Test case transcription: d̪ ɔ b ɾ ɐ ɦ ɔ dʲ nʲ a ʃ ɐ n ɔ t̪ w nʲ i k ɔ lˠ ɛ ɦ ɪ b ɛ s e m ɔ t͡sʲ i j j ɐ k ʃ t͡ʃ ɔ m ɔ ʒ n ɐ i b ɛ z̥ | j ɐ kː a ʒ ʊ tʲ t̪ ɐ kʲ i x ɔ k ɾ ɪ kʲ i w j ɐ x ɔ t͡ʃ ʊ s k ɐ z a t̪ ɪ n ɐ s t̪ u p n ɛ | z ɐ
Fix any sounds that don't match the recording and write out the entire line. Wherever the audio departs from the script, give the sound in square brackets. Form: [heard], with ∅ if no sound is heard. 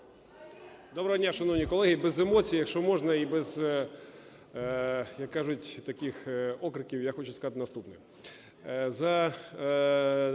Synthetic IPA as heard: d̪ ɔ b ɾ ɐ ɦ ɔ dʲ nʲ a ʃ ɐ n ɔ [∅] w nʲ i k ɔ lˠ ɛ ɦ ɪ b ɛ [z] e m ɔ t͡sʲ i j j ɐ k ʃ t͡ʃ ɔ m ɔ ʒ n ɐ i b ɛ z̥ | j ɐ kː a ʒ ʊ tʲ t̪ ɐ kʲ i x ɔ k ɾ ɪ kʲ i w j [a] x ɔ t͡ʃ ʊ s k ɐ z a t̪ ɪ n ɐ s t̪ u p n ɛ | z ɐ